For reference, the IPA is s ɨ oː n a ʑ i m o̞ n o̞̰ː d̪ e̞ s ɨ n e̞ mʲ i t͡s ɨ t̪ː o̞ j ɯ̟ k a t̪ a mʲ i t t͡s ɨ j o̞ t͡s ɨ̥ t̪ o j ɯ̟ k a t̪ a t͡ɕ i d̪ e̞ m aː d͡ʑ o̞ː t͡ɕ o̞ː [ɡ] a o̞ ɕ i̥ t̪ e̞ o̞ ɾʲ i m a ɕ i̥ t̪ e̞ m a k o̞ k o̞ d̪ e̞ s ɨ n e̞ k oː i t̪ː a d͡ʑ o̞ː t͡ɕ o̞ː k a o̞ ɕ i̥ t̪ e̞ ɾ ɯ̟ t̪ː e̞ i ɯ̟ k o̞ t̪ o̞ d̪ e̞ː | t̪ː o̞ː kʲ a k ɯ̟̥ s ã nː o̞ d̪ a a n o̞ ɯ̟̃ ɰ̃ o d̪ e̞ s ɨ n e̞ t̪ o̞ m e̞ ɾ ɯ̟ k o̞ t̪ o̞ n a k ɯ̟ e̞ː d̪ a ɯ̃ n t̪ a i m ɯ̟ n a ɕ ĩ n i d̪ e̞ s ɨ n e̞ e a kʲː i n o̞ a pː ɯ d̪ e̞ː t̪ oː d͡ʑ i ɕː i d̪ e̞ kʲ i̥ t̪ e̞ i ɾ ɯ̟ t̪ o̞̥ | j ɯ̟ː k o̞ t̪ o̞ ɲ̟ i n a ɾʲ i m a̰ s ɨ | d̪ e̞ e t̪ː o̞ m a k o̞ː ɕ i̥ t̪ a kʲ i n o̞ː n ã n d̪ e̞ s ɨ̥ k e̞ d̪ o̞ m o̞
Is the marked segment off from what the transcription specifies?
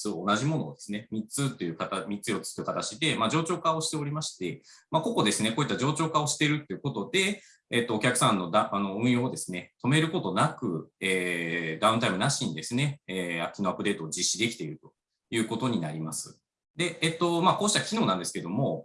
yes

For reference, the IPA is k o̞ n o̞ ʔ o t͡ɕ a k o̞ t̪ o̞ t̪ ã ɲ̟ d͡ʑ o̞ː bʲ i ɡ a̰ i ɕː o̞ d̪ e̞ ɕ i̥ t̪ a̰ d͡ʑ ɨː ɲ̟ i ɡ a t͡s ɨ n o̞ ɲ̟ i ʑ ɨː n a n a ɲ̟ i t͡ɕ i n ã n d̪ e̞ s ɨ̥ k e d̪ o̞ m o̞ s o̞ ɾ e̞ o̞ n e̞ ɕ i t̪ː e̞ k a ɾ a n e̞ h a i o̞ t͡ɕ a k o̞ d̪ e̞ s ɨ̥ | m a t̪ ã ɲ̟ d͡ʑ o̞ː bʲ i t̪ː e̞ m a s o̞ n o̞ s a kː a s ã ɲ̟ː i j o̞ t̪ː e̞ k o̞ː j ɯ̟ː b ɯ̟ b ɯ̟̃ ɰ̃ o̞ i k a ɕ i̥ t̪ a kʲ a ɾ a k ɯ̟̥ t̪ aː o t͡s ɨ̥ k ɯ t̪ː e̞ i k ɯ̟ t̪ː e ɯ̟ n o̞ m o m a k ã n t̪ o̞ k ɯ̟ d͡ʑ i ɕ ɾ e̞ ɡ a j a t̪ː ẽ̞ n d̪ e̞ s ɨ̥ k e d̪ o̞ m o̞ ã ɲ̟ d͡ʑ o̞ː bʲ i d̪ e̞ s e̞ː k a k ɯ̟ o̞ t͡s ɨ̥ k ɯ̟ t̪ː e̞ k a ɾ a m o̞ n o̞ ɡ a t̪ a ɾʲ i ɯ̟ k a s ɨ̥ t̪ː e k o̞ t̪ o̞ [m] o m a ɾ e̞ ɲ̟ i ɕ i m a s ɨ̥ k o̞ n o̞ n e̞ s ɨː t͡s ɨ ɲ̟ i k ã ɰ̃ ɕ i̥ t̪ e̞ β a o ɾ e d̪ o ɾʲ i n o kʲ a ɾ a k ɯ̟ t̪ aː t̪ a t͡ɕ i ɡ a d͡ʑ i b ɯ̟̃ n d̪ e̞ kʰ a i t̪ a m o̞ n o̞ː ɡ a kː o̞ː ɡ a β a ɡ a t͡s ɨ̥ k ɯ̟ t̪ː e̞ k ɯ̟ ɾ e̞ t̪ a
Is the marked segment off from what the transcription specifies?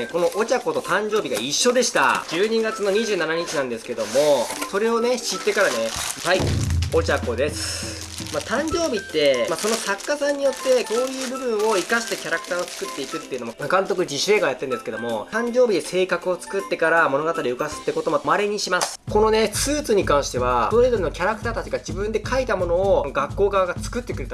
no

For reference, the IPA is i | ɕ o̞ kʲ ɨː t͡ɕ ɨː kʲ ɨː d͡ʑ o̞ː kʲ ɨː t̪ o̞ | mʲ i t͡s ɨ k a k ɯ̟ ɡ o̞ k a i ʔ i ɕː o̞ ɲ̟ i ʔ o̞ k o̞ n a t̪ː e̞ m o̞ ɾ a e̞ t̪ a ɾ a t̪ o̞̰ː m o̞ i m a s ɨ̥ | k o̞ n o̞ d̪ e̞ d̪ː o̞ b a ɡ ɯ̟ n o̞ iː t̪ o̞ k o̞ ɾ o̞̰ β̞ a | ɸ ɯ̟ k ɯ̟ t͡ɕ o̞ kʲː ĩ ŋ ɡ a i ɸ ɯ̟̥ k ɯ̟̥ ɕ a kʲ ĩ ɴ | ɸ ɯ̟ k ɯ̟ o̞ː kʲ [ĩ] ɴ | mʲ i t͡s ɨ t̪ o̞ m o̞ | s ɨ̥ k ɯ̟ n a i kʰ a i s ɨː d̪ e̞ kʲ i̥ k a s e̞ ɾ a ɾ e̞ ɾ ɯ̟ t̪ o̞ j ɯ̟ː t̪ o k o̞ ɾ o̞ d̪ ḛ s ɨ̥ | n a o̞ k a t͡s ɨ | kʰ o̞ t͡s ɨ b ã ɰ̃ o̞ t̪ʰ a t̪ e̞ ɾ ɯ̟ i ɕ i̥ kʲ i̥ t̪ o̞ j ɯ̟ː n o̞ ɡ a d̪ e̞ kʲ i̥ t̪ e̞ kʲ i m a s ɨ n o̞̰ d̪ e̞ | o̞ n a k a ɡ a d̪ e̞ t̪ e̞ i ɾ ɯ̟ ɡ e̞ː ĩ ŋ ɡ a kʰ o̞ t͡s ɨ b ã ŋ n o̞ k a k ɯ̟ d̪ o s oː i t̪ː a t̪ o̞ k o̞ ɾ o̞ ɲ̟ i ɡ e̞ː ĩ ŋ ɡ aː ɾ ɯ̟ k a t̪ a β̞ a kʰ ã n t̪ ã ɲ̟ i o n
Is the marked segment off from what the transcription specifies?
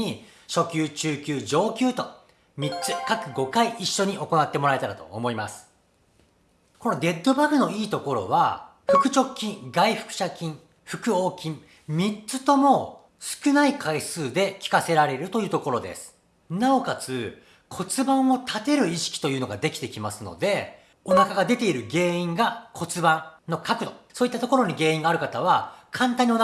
no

